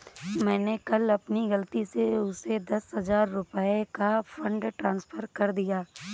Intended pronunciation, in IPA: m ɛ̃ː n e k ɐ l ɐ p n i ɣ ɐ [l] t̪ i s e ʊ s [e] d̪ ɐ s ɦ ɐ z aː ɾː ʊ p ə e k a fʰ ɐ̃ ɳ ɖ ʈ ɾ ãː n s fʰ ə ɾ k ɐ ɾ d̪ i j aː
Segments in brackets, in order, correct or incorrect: correct, correct

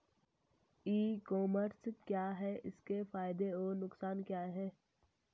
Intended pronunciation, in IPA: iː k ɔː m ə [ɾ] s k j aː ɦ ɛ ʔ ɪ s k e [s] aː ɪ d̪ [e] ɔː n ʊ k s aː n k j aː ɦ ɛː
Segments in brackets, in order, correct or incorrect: correct, incorrect: f, correct

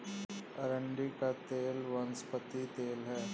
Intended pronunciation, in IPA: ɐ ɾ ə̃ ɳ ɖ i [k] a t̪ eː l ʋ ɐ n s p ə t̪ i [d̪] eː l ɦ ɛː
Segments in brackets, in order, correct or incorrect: correct, incorrect: t̪

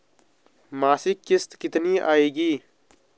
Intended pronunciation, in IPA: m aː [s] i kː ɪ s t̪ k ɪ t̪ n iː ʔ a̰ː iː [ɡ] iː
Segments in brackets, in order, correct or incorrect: correct, correct

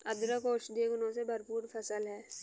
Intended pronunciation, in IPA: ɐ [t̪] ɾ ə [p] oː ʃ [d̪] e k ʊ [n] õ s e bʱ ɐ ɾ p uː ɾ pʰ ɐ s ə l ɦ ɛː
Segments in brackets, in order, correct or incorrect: incorrect: d̪, incorrect: k, correct, correct

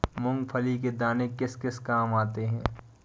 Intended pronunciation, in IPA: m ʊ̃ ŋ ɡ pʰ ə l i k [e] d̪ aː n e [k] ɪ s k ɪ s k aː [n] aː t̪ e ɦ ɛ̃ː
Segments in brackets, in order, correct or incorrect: correct, correct, incorrect: m

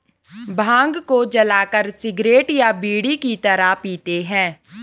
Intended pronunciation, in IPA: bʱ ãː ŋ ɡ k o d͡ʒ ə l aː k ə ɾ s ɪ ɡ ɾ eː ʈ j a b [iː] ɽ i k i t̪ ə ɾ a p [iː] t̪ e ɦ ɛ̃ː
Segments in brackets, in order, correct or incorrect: correct, correct

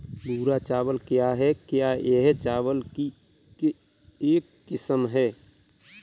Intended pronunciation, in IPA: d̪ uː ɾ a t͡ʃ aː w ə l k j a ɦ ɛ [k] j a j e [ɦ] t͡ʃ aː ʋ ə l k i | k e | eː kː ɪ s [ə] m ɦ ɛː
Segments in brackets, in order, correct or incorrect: correct, correct, correct

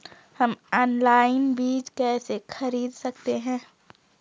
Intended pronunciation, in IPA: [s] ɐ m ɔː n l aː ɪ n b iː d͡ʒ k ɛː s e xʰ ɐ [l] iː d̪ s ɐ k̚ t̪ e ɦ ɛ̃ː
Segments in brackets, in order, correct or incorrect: incorrect: h, incorrect: ɾ

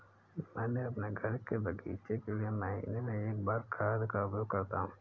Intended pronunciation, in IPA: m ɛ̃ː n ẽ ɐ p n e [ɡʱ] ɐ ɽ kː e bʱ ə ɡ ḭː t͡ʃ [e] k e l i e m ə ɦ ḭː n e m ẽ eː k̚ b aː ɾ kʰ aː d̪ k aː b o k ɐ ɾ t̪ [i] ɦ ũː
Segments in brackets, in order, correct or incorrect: correct, correct, incorrect: a

